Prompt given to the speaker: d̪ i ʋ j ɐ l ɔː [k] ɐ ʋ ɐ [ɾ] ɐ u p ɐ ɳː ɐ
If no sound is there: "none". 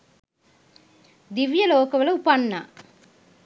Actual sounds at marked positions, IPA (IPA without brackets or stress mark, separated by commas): k, l